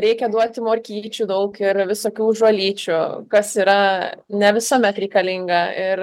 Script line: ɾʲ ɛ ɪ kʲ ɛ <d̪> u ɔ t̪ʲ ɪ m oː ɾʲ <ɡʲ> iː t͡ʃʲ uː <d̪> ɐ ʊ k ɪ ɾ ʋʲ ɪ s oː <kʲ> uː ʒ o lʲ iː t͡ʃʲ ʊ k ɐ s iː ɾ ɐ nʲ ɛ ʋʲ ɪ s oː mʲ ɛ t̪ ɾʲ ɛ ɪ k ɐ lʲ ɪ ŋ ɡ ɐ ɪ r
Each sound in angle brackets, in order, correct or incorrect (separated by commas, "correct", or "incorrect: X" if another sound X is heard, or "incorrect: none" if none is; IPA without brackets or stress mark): correct, incorrect: kʲ, correct, correct